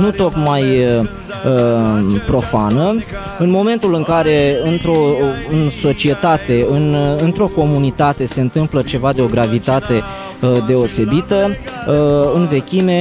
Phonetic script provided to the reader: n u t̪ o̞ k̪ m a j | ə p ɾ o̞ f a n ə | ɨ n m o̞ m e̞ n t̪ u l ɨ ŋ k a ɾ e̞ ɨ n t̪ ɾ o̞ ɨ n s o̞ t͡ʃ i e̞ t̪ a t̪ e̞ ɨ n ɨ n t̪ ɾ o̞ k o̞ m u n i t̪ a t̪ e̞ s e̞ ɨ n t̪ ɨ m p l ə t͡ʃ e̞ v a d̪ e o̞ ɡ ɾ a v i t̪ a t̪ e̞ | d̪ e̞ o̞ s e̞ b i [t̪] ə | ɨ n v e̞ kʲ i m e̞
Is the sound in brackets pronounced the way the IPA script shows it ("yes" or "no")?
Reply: yes